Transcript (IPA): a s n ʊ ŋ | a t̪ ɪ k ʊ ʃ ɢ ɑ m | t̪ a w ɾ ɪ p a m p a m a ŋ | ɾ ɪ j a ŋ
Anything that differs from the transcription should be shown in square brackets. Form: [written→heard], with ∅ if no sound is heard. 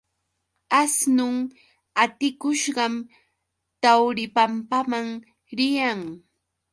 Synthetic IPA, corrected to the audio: a s n ʊ ŋ | a t̪ ɪ k ʊ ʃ ɢ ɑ m | t̪ a w ɾ ɪ p a m p a m a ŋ | ɾ ɪ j a ŋ